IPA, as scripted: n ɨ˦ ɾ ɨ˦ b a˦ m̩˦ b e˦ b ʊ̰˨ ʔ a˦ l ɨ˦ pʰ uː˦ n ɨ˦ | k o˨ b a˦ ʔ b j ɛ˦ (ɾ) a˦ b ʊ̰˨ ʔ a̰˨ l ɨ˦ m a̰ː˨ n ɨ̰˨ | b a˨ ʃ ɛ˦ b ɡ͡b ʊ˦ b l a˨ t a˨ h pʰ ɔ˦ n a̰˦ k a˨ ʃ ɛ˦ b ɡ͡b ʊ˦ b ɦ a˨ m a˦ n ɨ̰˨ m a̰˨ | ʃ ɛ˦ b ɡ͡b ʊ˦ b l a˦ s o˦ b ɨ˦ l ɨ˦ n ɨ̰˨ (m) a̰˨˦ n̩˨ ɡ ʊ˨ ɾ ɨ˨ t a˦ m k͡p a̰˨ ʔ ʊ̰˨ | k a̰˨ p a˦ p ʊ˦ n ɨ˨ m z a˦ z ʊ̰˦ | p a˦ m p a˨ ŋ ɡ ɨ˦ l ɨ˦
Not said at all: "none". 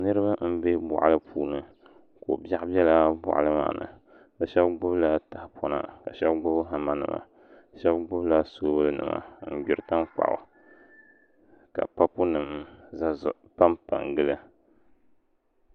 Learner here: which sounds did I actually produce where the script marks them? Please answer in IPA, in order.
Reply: l, m

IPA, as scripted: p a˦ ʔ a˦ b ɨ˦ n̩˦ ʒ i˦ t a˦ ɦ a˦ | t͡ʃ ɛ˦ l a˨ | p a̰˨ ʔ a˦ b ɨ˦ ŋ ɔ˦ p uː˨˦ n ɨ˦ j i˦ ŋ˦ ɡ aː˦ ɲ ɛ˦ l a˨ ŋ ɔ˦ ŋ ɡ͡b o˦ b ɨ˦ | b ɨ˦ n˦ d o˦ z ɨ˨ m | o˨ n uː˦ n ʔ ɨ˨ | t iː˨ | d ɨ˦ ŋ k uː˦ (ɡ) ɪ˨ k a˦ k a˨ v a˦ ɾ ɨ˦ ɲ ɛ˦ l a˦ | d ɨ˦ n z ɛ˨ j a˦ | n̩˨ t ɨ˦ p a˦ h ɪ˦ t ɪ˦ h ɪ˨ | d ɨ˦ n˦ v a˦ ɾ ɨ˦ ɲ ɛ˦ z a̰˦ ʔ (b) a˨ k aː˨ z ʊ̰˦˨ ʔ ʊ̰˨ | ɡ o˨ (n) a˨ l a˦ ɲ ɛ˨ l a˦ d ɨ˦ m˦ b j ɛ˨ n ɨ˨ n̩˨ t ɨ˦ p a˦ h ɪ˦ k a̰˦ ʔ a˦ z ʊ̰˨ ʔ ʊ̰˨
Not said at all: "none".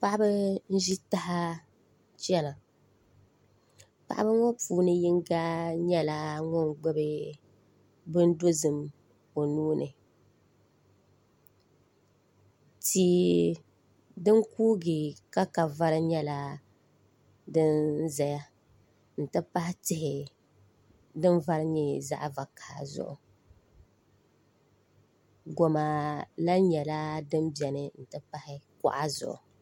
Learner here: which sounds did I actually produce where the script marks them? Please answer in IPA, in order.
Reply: ɡ, v, m

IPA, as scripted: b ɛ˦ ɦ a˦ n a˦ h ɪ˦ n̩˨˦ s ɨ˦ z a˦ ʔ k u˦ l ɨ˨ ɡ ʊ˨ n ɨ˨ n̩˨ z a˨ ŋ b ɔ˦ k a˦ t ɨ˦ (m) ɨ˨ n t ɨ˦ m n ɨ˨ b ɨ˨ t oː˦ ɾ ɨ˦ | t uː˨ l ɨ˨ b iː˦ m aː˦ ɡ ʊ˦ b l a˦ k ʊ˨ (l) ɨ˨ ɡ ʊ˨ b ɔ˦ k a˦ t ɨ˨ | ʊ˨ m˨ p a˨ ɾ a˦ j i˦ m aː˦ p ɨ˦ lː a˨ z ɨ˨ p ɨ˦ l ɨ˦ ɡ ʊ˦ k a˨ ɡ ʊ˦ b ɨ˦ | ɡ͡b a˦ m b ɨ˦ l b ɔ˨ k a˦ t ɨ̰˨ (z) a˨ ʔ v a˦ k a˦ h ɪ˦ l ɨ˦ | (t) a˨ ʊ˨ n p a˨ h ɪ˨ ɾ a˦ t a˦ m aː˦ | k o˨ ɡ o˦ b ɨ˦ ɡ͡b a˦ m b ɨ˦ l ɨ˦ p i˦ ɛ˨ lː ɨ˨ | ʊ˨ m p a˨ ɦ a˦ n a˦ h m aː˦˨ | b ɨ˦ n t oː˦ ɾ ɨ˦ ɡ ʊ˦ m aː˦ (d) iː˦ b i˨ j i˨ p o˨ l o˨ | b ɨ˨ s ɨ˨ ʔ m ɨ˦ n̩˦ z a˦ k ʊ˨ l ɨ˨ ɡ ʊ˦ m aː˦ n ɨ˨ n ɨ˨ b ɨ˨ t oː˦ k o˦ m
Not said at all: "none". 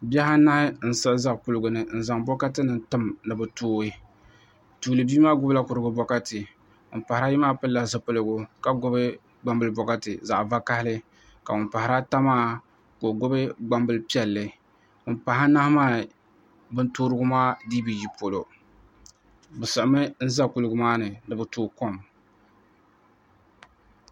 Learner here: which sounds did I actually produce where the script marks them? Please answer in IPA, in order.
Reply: n, ɾ, z, k, d

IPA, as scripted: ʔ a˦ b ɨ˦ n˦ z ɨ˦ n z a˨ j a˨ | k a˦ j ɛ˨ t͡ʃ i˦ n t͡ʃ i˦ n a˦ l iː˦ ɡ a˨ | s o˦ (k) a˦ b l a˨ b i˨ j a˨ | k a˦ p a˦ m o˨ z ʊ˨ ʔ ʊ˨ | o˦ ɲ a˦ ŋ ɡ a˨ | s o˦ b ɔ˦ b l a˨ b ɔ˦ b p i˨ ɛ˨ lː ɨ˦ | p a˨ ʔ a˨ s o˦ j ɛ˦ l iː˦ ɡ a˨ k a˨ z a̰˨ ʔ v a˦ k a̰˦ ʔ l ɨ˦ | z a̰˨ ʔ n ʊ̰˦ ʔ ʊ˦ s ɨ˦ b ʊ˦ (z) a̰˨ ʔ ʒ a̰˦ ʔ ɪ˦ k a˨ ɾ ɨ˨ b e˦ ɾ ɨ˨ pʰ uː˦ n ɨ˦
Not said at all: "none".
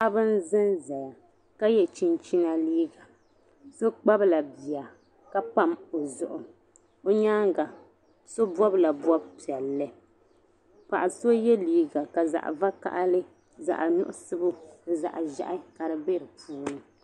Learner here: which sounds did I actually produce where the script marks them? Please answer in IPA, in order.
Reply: k͡p, z

